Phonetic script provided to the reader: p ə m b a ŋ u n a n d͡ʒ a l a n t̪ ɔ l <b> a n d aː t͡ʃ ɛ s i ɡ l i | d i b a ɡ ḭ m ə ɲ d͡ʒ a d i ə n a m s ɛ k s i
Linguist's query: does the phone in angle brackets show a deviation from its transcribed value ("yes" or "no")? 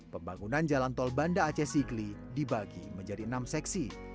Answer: no